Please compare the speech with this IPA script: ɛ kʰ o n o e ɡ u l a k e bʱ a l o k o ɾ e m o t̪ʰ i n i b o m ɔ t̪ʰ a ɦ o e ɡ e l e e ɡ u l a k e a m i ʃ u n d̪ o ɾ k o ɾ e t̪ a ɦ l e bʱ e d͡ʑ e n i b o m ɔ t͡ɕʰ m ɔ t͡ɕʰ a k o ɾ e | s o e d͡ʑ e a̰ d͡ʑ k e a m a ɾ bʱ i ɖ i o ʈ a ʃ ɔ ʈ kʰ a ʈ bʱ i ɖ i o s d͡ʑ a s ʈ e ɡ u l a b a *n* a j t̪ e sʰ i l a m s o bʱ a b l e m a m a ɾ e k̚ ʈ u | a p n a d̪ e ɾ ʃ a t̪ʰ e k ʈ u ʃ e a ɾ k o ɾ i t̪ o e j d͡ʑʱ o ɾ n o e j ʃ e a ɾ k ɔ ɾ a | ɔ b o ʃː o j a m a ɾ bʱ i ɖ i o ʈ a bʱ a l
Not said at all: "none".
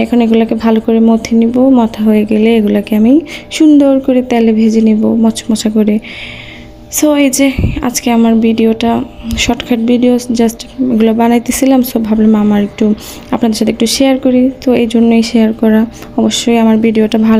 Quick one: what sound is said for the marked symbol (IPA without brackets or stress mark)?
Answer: n